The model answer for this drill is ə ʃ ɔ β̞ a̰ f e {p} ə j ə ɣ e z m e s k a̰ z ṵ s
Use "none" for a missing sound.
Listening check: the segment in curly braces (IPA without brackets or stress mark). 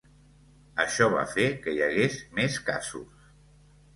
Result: k